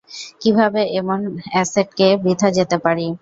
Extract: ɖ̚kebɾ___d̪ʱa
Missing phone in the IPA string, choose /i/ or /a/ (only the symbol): i